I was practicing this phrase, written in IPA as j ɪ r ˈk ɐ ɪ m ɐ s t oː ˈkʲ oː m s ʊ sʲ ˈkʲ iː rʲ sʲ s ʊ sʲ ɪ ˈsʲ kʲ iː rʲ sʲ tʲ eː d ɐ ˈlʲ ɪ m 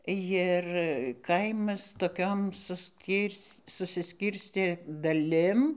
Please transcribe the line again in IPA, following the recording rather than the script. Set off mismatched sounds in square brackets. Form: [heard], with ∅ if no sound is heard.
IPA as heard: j ɪ r ˈk ɐ ɪ m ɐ s t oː ˈkʲ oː m s ʊ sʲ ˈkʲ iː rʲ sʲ s ʊ sʲ ɪ ˈsʲ kʲ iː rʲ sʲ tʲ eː d ɐ ˈlʲ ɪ m